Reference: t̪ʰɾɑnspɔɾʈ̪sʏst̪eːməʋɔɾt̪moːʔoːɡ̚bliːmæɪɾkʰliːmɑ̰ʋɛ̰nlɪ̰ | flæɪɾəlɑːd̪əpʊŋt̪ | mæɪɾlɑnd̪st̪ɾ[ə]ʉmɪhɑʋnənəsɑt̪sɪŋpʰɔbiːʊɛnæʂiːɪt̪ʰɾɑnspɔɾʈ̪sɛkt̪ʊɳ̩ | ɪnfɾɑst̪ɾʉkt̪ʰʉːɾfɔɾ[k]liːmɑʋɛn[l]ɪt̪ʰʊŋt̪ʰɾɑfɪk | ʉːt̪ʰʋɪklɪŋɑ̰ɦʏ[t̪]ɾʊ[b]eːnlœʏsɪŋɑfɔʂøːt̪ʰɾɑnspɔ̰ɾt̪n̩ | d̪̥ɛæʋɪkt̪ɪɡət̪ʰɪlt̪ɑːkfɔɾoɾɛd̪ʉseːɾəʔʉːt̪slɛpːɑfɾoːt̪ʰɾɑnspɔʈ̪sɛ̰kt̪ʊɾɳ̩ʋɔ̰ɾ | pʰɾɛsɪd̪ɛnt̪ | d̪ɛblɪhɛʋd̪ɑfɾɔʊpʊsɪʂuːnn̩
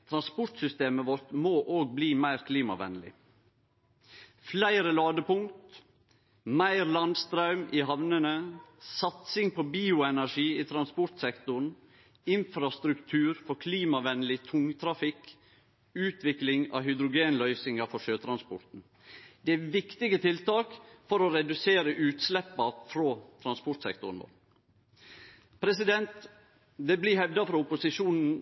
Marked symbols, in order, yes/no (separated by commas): no, no, yes, no, no